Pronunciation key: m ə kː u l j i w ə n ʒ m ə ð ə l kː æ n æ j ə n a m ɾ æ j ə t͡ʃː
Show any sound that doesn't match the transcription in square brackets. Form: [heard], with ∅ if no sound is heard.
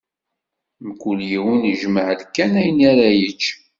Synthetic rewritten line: m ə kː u l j i w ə n ʒ m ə [ʕ] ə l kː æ n æ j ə n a [∅] ɾ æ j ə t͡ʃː

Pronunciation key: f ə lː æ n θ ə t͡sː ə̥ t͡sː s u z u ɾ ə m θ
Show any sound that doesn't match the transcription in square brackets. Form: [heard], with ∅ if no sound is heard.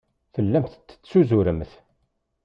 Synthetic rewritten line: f ə lː æ [m] θ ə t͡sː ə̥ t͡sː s u z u ɾ ə m θ

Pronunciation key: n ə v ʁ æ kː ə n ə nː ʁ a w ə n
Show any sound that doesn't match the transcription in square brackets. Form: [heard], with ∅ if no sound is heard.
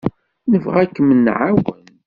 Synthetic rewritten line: n ə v ʁ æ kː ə [m] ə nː [ʕ] a w ə n

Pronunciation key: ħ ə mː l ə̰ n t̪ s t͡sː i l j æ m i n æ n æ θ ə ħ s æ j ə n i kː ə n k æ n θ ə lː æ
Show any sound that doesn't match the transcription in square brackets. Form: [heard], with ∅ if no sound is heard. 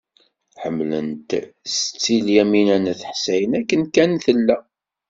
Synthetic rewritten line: ħ ə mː l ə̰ n t̪ s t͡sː i l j æ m i n æ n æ θ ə ħ s æ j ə n [æ] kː ə n k æ n θ ə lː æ

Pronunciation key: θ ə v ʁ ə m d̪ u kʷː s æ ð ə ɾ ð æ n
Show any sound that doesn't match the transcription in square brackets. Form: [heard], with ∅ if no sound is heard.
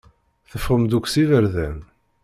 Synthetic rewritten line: θ ə [f] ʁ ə m d̪ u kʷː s [i] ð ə ɾ ð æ n

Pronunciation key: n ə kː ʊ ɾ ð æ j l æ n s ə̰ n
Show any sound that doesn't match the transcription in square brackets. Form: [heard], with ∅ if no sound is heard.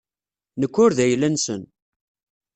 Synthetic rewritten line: n ə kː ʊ ɾ ð æ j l æ n s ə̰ n

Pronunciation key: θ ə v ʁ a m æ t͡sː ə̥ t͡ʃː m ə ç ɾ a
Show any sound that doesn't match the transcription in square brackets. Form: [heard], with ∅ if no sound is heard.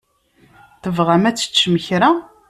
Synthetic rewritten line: θ ə v ʁ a m æ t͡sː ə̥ t͡ʃː m ə ç ɾ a

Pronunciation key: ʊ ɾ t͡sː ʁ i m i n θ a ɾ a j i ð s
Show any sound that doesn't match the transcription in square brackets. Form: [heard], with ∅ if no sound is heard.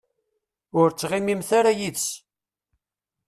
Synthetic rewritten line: ʊ ɾ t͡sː ʁ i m i [m] θ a ɾ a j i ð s

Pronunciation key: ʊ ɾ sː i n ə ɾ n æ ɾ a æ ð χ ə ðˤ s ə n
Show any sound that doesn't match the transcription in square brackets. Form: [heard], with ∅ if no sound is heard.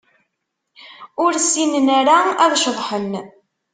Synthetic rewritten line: ʊ ɾ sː i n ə [∅] n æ ɾ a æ ð [ʃ] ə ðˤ [ħ] ə n

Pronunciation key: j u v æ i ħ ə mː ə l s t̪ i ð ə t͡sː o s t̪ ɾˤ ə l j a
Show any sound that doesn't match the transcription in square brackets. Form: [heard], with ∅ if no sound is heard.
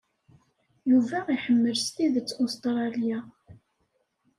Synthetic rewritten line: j u v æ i ħ ə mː ə l s t̪ i ð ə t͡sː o s t̪ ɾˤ [ɑ] l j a

